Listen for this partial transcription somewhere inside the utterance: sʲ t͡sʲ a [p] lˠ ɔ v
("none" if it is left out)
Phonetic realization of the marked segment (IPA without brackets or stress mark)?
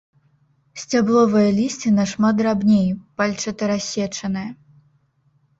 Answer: b